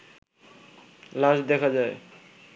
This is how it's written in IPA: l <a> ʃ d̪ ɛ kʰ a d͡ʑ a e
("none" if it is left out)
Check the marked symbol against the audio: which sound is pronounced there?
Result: a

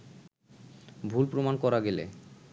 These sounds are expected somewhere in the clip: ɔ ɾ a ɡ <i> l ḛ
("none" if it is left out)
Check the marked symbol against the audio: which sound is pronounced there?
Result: e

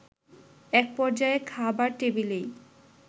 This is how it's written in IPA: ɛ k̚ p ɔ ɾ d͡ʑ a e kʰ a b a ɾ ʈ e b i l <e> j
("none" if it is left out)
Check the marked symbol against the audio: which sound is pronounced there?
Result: e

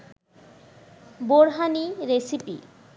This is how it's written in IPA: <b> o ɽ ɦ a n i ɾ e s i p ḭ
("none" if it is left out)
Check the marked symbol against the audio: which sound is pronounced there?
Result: b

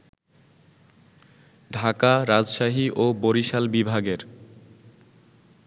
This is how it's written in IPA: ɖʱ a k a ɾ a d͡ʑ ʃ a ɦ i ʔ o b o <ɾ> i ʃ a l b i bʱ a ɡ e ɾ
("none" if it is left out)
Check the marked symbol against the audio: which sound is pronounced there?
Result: ɾ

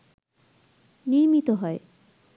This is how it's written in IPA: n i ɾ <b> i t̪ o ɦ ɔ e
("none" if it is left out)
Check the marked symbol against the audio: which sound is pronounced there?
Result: m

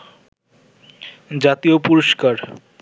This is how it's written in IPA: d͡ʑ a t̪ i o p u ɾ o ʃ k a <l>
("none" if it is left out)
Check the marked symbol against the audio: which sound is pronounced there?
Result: ɾ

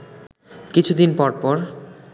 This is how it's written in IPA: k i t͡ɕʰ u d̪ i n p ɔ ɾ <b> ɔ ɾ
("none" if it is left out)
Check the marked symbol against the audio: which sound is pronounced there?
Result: p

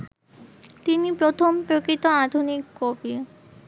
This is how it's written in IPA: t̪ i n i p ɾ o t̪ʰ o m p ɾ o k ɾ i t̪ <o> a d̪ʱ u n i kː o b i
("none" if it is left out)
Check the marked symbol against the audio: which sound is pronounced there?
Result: o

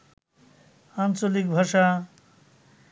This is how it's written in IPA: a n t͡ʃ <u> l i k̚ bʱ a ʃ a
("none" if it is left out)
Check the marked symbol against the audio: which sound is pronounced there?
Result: o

